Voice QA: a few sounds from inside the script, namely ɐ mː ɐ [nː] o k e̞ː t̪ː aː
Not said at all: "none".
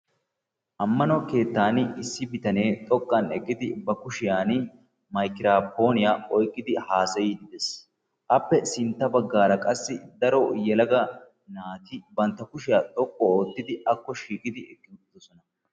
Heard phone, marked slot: n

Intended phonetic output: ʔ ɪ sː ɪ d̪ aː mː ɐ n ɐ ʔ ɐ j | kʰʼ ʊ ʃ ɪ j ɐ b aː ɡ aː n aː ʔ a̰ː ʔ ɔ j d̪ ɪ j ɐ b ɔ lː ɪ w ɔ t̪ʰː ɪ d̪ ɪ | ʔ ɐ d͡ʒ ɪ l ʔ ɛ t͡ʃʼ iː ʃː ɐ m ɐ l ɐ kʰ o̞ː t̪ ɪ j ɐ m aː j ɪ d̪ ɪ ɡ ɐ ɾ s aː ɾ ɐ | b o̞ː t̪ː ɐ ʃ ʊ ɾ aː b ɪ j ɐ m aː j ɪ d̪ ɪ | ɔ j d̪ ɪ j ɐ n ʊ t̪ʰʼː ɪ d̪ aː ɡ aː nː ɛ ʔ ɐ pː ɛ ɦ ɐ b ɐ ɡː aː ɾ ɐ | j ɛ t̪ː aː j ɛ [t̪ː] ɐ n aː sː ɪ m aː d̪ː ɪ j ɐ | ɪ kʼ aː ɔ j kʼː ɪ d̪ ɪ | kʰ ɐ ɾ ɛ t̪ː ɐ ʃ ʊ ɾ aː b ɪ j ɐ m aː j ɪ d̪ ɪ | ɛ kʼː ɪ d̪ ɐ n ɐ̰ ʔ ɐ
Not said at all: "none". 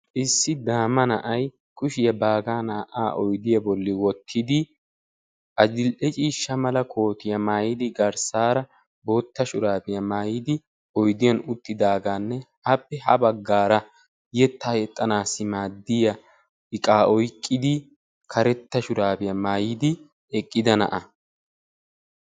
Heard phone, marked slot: t̪ʼː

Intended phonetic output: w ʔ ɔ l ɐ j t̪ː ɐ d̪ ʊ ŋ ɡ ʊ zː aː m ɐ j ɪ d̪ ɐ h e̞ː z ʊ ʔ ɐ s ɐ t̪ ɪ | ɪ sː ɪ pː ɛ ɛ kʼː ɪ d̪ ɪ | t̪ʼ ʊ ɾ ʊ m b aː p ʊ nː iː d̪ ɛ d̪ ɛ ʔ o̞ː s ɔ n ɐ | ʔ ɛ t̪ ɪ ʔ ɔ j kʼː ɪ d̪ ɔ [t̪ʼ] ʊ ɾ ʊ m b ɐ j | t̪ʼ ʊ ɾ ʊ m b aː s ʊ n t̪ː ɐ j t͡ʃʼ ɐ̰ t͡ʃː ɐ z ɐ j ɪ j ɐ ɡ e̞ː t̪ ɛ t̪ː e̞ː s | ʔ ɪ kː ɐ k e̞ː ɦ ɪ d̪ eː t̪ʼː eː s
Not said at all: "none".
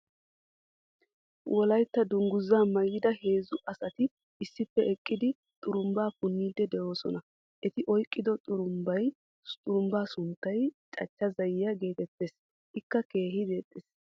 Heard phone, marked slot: t̪ʼ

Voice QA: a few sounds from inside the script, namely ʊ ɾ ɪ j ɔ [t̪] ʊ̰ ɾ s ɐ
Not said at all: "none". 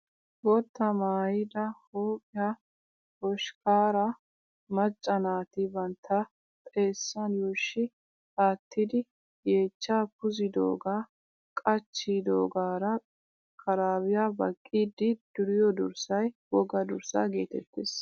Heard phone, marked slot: d̪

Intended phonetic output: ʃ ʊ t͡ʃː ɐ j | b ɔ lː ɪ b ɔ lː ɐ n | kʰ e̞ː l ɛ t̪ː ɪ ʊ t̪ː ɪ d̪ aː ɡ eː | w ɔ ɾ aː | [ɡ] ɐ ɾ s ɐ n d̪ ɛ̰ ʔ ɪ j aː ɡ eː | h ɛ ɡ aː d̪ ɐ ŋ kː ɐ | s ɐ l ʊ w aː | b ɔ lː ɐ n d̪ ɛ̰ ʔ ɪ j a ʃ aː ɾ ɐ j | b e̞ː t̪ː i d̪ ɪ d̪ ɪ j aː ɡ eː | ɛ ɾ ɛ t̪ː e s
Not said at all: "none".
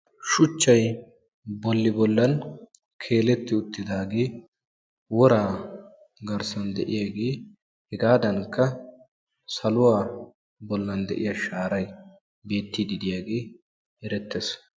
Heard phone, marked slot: ɡ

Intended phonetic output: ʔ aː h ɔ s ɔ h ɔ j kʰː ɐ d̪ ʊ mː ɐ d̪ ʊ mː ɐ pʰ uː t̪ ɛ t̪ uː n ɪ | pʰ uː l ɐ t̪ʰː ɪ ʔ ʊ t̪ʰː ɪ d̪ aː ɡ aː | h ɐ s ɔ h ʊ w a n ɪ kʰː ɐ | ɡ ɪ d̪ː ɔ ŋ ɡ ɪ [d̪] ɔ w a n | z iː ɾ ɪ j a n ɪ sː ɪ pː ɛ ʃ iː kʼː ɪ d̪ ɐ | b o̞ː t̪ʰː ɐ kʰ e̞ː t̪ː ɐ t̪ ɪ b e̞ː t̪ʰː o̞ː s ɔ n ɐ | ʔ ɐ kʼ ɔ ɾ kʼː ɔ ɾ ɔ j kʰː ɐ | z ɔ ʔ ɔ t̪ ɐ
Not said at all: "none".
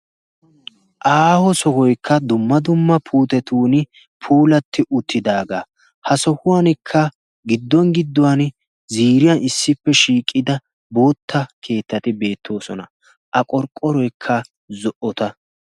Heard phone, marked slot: d̪ː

